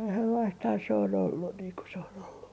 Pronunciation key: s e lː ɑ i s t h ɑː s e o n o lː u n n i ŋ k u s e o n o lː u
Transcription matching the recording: s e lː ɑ i s t h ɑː s e o n o lː u n n iː ŋ k u s e o n o lː u